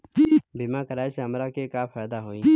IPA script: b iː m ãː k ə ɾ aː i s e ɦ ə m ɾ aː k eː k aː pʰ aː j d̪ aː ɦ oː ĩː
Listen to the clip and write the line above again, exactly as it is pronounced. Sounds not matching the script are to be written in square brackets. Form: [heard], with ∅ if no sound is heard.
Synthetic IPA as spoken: b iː m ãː k ə ɾ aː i s e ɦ ə m ɾ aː k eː k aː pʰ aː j d̪ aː ɦ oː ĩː

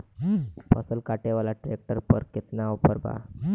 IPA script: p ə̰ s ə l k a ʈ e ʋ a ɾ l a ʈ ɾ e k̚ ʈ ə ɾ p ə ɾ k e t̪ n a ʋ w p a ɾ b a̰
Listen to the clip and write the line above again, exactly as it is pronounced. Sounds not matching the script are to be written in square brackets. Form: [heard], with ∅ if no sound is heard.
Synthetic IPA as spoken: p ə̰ s ə l k a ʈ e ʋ a [∅] l a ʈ ɾ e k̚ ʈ ə ɾ p ə ɾ k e t̪ n a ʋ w p [ə] ɾ b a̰

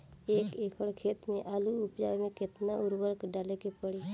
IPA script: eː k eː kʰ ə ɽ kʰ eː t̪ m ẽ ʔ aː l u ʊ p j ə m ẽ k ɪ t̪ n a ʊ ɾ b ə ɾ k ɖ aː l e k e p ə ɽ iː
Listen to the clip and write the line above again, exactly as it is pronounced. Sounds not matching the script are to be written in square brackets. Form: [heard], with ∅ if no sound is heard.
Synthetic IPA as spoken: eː k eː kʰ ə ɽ kʰ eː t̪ m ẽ ʔ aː l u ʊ p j [a] m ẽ k ɪ t̪ n a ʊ ɾ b ə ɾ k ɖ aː l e k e p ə ɽ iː

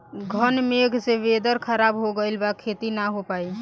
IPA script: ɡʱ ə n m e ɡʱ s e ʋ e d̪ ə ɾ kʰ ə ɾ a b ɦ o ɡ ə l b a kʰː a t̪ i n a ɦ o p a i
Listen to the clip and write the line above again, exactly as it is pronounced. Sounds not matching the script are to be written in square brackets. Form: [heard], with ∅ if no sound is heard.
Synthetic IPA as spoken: ɡʱ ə n m e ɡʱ s e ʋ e d̪ ə ɾ kʰ ə ɾ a b ɦ o ɡ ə l b a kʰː [e] t̪ i n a ɦ o p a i

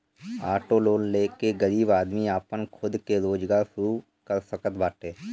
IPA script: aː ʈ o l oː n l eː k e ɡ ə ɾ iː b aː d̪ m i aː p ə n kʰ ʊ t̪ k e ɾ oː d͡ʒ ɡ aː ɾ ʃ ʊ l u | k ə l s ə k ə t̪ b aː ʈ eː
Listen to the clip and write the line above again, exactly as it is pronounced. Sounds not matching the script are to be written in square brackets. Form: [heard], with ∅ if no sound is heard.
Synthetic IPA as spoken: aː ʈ o l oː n l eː k e ɡ ə ɾ iː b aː d̪ m i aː p ə n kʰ ʊ [d̪] k e ɾ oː d͡ʒ ɡ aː ɾ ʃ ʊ [ɾ] u | k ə [ɾ] s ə k ə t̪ b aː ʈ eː

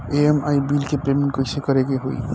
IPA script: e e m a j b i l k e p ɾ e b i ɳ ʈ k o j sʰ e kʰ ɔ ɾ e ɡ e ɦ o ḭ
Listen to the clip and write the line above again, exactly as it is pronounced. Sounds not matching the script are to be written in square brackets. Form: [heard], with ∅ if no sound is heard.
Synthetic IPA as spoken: e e m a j b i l k e p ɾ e [m] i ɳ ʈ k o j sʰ e [k] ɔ ɾ e ɡ e ɦ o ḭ

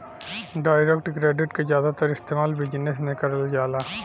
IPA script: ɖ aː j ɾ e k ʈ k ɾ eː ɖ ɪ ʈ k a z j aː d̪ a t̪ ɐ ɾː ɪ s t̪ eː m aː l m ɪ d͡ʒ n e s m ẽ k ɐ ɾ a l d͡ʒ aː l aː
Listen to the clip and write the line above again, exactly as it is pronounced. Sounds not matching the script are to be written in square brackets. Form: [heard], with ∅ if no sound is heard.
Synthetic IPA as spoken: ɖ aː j ɾ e k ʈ k ɾ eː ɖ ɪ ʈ k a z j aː d̪ a t̪ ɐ [ɾ] ɪ s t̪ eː m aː l [b] ɪ d͡ʒ n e s m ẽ k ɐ ɾ [ə] l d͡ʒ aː l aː

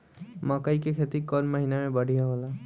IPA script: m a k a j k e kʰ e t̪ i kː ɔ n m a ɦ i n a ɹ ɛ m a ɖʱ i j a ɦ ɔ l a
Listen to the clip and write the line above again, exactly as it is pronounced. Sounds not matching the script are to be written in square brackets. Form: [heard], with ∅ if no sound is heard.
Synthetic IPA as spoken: m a k a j k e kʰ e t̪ i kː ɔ n m a ɦ i n a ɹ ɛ [b] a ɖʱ i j a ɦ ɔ l a

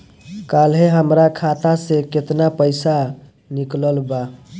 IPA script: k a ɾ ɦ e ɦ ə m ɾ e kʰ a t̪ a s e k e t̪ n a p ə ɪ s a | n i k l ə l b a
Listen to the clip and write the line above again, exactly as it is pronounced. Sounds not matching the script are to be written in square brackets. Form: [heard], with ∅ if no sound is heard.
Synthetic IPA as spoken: k a [l] ɦ e ɦ ə m ɾ [a] kʰ a t̪ a s e k e t̪ n a p ə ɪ s a | n i k l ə l b a

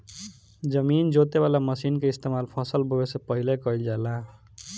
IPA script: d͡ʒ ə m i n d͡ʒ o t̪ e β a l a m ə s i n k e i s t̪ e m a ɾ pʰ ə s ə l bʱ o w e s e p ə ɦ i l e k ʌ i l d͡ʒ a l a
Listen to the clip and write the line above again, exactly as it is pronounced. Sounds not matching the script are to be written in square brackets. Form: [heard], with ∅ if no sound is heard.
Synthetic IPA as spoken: d͡ʒ ə m i n d͡ʒ o t̪ e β a l a m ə s i n k e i s t̪ e m a [l] pʰ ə s ə l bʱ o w e s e p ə ɦ i l e k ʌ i l d͡ʒ a l a

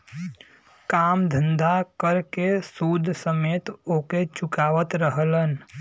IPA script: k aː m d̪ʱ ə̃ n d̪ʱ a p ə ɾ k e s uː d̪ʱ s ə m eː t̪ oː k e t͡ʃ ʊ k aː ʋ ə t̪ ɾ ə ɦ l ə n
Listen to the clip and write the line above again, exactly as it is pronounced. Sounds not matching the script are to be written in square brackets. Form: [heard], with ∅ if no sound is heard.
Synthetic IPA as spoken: k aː m d̪ʱ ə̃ n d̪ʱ a [k] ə ɾ k e s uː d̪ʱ s ə m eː t̪ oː k e t͡ʃ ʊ k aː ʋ ə t̪ ɾ ə ɦ l ə n

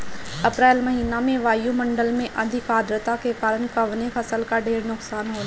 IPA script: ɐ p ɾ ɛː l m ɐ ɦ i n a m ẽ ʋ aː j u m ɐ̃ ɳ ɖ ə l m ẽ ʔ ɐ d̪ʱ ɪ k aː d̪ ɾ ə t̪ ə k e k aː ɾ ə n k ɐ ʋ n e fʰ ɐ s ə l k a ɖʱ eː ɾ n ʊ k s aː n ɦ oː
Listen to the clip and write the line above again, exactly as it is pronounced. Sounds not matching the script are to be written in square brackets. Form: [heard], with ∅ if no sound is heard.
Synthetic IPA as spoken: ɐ p ɾ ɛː l m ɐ ɦ [iː] n a m ẽ ʋ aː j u m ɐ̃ ɳ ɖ ə l m ẽ ʔ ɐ d̪ʱ ɪ k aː d̪ ɾ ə t̪ [a] k e k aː ɾ ə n k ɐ ʋ n e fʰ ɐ s ə l k a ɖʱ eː ɾ n ʊ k s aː n ɦ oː

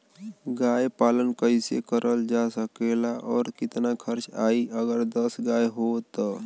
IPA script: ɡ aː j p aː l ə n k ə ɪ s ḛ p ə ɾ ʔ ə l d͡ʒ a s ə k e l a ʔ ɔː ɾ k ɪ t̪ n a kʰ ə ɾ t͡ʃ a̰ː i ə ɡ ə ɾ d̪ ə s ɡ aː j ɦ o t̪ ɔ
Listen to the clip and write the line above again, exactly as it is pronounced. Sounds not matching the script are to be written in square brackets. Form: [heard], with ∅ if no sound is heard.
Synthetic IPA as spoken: ɡ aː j p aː l ə n k ə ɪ s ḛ [k] ə ɾ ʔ ə l d͡ʒ a s ə k e l a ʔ ɔː ɾ k ɪ t̪ n a kʰ ə ɾ t͡ʃ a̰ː i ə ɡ ə ɾ d̪ ə s ɡ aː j ɦ o t̪ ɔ

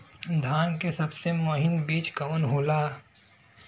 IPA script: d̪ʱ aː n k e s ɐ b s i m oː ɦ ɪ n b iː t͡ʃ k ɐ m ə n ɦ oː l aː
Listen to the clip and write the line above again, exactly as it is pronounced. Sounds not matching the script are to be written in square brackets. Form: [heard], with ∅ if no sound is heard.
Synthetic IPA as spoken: d̪ʱ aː n k e s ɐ b s [e] m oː ɦ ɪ n b iː t͡ʃ k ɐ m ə n ɦ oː l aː

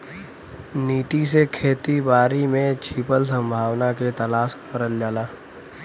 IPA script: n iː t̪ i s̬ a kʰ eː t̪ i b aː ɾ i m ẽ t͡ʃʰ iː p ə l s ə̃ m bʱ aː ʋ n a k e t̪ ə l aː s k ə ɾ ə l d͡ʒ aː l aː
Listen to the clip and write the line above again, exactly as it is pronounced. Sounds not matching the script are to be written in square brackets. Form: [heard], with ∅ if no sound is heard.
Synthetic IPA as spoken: n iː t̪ i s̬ [e] kʰ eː t̪ i b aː ɾ i m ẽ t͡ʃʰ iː p ə l s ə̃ m bʱ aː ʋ n a k e t̪ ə l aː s k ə ɾ ə l d͡ʒ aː l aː

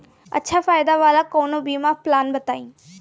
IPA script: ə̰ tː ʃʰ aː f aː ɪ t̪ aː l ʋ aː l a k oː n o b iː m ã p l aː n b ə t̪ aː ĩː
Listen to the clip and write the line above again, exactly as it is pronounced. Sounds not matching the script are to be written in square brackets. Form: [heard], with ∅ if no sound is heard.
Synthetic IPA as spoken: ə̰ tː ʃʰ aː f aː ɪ [d̪] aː [∅] ʋ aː l a k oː n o b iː m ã p l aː n b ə t̪ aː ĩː

